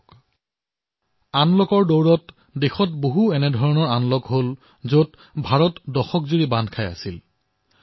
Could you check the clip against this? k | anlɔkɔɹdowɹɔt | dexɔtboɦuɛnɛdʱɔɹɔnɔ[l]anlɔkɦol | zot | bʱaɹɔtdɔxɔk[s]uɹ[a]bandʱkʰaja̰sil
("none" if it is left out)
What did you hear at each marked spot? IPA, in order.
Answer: ɹ, z, i

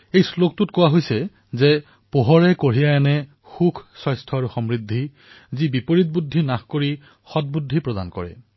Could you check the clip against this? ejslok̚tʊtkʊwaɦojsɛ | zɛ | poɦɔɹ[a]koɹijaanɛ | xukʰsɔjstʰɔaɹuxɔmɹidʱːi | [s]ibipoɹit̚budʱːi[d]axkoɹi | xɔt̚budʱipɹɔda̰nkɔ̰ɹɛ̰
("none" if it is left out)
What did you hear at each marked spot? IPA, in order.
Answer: ɛ, z, n

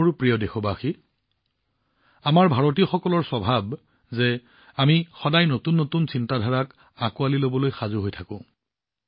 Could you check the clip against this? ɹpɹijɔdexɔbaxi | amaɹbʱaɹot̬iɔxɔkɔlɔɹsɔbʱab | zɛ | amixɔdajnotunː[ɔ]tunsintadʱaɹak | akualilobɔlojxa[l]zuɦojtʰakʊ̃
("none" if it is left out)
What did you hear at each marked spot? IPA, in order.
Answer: o, none

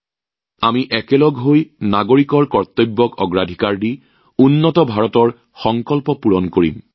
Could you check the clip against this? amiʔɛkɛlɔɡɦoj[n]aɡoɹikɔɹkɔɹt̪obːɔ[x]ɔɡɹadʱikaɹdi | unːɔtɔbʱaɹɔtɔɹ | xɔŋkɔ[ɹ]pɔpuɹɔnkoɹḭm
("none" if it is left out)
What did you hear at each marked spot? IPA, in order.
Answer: n, k, l

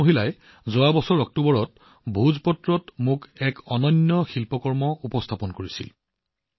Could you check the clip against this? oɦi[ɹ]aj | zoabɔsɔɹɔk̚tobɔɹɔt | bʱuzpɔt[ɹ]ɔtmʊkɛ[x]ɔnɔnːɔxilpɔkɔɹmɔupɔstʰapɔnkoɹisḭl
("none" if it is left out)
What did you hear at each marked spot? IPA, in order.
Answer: l, ɹ, k

